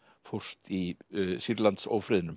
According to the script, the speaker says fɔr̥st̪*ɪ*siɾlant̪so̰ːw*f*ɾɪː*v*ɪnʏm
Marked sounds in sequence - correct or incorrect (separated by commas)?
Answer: incorrect, correct, incorrect